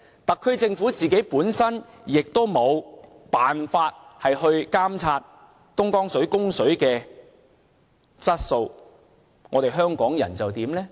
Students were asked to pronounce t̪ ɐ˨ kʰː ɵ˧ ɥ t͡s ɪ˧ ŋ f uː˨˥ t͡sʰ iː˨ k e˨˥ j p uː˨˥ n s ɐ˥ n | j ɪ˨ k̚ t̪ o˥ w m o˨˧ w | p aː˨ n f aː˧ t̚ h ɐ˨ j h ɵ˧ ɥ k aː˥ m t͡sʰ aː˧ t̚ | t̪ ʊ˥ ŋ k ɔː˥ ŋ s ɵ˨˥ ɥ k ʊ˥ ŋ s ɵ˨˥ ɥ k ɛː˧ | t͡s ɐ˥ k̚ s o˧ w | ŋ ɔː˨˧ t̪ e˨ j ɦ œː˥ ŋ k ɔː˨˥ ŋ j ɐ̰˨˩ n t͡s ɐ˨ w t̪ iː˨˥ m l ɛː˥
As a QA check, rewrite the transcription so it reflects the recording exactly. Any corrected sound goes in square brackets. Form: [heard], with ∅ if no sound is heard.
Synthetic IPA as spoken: t̪ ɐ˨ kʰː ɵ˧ ɥ t͡s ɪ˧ ŋ f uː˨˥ [t͡s] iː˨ k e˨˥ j p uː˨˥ n s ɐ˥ n | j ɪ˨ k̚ t̪ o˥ w m o˨˧ w | p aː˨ n f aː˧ t̚ h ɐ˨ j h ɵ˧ ɥ k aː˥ m t͡sʰ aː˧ t̚ | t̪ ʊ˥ ŋ k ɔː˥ ŋ s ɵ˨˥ ɥ k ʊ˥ ŋ s ɵ˨˥ ɥ k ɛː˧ | t͡s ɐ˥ [t̚] s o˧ w | ŋ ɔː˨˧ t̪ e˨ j ɦ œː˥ ŋ k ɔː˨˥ ŋ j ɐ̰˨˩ n t͡s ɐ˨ w t̪ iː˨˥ m l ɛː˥